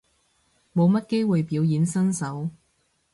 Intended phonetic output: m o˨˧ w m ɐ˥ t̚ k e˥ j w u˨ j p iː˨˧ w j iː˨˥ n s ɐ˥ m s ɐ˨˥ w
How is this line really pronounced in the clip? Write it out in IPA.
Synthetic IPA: m o˨˧ w m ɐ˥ t̚ k e˥ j w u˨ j p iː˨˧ w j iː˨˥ n s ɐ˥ n s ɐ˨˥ w